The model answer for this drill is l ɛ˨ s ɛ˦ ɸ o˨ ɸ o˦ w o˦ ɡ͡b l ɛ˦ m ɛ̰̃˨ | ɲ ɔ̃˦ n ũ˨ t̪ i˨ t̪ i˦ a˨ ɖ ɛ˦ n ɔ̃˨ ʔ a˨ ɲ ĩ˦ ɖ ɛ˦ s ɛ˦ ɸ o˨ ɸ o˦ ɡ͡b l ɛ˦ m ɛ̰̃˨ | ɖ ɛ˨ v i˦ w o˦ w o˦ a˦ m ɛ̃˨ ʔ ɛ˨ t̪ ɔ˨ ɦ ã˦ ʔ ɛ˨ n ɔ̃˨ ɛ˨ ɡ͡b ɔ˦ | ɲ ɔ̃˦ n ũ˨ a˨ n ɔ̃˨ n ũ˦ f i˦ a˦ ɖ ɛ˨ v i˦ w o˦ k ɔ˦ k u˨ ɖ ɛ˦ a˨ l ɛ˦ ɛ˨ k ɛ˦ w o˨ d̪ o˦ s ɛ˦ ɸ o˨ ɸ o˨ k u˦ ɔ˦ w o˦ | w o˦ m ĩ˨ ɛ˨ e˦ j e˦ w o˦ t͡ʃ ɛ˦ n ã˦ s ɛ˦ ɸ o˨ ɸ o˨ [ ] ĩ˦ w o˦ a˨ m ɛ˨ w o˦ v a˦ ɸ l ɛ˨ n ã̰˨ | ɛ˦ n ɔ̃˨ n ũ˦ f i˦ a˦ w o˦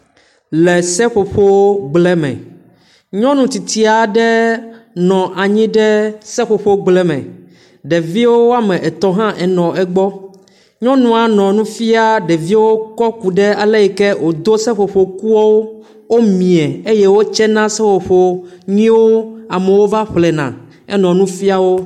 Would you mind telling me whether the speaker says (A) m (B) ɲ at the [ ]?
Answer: B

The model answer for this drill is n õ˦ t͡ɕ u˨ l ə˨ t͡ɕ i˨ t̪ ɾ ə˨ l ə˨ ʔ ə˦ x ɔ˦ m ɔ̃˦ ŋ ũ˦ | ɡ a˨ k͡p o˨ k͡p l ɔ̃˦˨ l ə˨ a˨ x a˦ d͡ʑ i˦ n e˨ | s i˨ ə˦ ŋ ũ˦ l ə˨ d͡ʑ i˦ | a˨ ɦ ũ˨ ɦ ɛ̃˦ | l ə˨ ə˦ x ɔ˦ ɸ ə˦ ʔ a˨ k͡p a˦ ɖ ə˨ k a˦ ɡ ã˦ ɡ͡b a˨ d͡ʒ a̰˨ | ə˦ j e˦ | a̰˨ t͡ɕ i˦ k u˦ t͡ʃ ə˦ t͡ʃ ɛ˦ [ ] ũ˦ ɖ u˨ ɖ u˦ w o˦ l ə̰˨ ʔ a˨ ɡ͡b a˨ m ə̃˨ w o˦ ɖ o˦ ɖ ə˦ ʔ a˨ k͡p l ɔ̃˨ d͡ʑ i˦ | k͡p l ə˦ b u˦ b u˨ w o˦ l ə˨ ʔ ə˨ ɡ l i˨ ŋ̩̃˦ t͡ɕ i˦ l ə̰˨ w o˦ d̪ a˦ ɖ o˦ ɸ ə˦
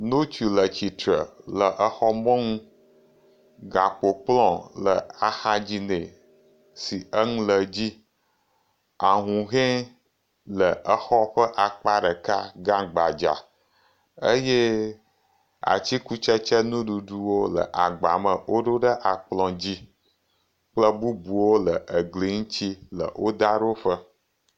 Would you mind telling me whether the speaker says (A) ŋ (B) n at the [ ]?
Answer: B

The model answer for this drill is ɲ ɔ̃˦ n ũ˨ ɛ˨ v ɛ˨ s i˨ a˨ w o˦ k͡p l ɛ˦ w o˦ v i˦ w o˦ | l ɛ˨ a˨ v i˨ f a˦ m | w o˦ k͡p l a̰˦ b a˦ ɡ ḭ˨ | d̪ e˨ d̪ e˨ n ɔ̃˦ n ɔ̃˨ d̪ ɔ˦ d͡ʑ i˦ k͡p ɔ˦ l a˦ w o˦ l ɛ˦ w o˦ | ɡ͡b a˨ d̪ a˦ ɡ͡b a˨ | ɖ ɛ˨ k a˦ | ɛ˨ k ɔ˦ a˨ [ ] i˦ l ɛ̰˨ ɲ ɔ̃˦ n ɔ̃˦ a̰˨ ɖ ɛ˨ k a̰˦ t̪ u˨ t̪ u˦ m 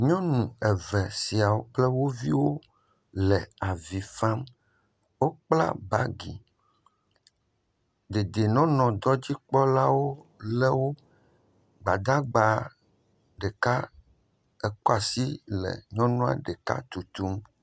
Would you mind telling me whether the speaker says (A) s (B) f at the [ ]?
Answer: A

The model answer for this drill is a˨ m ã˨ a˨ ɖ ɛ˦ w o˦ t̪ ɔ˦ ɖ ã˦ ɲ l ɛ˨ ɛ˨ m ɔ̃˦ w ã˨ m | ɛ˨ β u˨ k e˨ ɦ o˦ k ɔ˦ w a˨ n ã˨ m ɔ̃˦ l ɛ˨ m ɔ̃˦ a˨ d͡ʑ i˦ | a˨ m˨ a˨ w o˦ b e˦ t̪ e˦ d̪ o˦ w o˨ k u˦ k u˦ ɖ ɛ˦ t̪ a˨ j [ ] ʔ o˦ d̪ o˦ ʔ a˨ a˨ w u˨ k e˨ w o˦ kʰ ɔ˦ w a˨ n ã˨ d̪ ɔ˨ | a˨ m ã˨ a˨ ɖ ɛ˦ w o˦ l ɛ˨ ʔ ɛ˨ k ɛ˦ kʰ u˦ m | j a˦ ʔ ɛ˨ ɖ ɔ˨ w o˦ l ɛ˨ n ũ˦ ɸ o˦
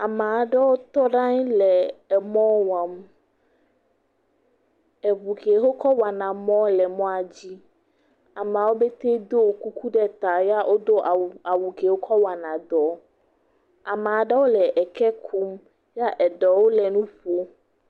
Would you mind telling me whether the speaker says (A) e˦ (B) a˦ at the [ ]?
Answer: B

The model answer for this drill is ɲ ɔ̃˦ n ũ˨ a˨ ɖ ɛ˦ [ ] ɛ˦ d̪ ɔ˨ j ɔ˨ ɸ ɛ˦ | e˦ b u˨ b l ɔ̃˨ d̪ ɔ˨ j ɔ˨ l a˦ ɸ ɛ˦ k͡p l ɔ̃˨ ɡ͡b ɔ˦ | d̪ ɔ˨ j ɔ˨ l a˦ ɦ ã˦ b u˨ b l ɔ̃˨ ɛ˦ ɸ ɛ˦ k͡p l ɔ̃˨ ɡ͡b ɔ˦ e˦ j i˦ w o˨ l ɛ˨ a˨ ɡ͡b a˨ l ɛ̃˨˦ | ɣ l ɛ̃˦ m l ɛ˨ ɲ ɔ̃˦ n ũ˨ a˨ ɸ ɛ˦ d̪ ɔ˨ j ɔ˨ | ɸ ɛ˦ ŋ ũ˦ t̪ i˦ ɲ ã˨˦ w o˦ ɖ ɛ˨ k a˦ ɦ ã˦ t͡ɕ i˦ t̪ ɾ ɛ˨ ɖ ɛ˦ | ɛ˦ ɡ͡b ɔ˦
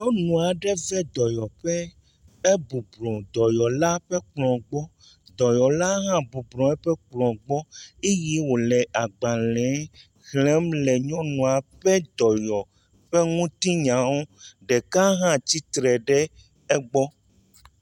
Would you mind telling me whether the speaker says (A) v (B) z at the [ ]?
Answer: A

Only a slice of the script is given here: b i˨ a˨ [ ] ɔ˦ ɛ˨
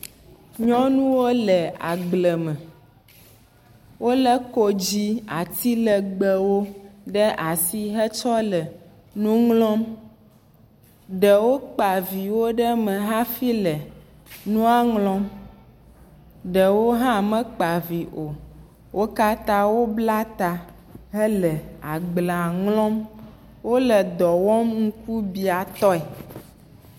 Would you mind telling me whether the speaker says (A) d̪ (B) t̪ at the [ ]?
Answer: B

